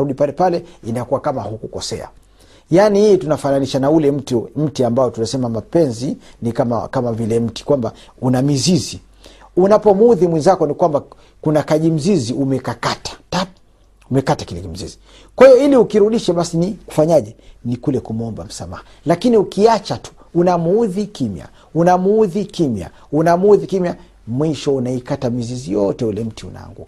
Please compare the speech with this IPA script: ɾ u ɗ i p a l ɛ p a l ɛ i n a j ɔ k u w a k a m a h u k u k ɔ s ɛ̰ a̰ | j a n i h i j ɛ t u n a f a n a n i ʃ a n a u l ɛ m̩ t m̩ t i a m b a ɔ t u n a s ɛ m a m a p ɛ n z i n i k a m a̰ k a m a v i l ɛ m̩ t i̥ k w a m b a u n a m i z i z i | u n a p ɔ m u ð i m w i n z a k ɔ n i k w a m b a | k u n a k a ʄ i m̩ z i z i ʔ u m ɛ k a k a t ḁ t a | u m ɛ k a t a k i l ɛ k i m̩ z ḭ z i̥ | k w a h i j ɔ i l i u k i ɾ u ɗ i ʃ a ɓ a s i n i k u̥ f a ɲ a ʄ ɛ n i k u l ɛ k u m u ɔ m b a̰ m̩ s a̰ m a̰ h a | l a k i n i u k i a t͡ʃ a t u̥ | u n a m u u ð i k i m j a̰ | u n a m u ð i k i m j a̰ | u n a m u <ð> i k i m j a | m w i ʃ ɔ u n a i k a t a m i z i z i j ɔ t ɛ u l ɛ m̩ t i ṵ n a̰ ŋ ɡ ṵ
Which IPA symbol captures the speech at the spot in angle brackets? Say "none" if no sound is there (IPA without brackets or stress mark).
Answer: ð